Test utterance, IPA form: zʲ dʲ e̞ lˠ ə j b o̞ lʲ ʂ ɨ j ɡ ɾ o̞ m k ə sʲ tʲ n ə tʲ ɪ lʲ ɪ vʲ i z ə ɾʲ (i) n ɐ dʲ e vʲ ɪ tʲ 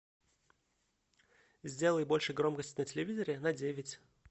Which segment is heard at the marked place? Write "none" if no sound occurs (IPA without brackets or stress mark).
ɪ